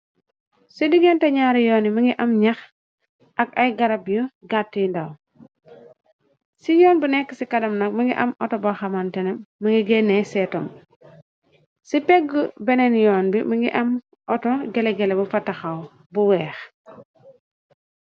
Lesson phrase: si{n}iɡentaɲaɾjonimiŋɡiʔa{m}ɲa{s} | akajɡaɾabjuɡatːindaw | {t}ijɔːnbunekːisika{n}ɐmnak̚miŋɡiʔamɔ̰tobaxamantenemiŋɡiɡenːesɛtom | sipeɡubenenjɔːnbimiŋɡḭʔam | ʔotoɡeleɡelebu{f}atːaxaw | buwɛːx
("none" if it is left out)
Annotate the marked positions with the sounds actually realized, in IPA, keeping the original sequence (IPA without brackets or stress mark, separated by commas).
d, m, x, s, d, f